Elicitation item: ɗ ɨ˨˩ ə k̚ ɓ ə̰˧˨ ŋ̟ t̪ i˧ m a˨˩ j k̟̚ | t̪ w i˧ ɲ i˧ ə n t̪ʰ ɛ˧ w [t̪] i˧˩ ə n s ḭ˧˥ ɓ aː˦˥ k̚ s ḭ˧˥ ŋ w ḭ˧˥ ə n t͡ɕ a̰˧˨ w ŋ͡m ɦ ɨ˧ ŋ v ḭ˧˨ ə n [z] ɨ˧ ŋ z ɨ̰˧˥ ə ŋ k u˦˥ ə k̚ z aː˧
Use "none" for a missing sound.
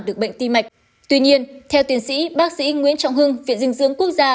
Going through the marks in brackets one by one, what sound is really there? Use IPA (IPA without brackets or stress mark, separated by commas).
t̪, z